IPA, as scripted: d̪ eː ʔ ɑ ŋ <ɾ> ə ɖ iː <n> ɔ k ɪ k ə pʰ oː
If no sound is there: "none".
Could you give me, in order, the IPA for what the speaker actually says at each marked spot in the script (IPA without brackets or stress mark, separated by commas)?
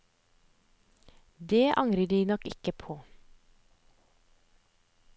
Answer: ɾ, n